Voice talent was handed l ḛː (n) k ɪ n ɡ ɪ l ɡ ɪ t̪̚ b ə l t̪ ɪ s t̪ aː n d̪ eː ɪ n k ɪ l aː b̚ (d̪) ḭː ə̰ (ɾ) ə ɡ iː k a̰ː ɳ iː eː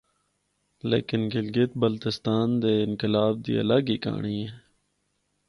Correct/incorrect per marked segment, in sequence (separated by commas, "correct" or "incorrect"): incorrect, correct, incorrect